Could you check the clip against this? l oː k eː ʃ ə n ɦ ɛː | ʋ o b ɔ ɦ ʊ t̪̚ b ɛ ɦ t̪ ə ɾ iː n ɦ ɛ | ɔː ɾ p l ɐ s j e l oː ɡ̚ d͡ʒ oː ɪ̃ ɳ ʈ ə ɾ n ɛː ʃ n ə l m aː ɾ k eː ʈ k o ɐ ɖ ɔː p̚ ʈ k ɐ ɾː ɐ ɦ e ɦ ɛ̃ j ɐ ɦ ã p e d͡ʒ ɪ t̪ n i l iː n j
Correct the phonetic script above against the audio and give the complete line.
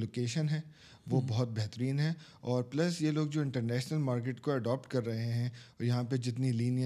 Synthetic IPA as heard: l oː k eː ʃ ə n ɦ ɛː | ʋ o b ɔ ɦ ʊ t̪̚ b ɛ ɦ t̪ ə ɾ iː n ɦ ɛ | ɔː ɾ p l ɐ s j e l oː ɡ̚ d͡ʒ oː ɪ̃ ɳ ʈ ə ɾ n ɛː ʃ n ə l m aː ɾ k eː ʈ k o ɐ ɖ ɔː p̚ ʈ k ɐ ɾː ɐ ɦ e ɦ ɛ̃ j ɐ ɦ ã p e d͡ʒ ɪ t̪ n i l iː n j